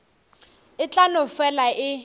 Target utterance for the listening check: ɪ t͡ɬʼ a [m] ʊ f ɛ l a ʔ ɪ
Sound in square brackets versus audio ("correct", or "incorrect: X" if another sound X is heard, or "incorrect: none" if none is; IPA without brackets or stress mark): incorrect: n